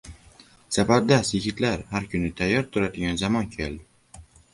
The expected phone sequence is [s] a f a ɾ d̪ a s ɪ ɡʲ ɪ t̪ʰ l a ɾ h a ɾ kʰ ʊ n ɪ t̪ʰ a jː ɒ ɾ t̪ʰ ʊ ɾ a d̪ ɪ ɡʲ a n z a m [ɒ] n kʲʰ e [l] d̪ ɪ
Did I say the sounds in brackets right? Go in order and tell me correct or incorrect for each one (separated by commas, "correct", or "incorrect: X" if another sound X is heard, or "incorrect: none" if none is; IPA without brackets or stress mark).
correct, correct, correct